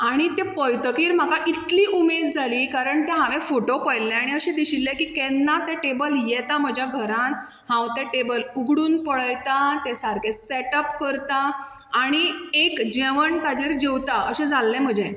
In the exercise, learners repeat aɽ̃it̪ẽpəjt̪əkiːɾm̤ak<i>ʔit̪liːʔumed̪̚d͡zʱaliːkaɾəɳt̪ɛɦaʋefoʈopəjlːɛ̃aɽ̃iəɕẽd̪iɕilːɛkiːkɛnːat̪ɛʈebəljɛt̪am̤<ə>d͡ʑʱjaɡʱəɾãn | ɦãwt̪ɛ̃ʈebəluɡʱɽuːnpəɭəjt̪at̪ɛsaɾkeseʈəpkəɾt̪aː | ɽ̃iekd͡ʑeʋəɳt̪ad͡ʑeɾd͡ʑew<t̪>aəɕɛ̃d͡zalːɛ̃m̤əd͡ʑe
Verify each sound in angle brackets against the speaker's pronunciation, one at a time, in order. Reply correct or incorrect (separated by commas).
incorrect, correct, correct